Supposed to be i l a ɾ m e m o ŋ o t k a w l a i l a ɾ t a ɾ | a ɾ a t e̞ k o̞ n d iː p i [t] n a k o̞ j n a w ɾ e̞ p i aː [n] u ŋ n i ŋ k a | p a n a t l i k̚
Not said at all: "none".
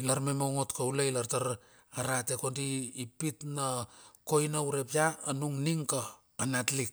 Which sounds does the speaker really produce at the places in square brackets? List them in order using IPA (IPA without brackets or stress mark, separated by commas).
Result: t, n